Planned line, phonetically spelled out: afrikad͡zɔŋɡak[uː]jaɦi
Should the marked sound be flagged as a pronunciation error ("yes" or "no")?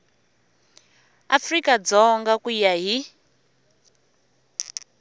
yes